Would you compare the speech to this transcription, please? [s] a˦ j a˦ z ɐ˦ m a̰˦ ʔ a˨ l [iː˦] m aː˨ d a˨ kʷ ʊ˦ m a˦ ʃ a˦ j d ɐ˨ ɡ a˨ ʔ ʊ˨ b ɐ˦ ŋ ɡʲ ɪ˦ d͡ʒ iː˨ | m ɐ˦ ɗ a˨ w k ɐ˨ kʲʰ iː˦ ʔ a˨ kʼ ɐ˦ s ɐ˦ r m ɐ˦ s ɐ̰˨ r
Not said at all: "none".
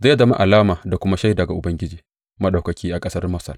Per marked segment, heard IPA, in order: z, aː˦

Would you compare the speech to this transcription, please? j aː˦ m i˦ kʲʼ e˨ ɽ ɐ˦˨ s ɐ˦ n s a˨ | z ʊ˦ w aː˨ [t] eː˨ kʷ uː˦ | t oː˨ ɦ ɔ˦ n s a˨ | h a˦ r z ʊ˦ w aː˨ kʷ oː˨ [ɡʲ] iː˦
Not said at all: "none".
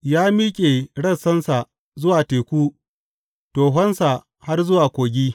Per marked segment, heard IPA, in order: t, ɡʲ

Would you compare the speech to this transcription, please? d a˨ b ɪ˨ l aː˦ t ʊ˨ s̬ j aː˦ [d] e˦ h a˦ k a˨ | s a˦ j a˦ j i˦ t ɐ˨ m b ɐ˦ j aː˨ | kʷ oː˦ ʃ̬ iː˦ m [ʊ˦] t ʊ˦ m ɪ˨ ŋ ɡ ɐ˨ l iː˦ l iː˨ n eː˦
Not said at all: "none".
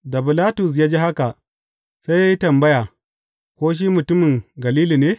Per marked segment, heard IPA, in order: d͡ʒ, ʊ˨

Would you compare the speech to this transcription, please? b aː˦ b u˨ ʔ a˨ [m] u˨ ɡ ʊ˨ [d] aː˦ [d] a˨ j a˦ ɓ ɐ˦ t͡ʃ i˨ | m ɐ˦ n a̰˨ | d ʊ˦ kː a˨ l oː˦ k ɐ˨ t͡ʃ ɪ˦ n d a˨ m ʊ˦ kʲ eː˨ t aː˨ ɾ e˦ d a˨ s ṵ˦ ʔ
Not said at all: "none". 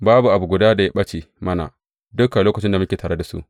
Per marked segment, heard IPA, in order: b, d, d

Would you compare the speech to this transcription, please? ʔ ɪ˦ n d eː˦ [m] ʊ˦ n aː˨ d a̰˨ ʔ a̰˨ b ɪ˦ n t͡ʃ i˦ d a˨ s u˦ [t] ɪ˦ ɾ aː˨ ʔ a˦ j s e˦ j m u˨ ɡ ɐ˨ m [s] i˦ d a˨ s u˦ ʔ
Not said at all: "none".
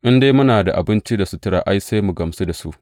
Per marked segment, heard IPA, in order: m, t, s

